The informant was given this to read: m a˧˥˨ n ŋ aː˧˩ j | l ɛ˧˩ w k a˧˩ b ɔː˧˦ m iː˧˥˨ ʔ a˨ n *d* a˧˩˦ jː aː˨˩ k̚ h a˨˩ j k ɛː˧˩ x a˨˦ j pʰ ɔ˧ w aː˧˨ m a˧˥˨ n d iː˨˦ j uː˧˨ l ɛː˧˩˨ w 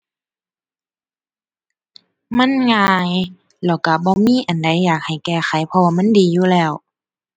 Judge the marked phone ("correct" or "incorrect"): correct